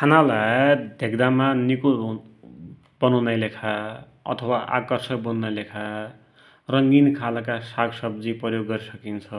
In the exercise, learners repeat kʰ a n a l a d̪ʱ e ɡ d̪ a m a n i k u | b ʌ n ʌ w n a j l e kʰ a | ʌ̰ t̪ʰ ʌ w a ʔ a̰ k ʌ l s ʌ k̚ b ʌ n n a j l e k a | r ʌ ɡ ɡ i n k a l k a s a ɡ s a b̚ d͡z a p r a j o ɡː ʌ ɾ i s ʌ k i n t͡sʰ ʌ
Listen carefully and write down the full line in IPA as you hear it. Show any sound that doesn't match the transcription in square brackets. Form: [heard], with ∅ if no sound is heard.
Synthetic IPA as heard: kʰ a n a l a d̪ʱ e ɡ d̪ a m a n i k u | b ʌ n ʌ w n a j l e kʰ a | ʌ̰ t̪ʰ ʌ w a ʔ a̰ k ʌ [r] s ʌ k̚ b ʌ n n a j l e [kʰ] a | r ʌ [ŋ] ɡ i n [kʰ] a l k a s a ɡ s [ʌ] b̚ d͡z [i] p r [ʌ] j o ɡː ʌ ɾ i s ʌ k i n t͡sʰ ʌ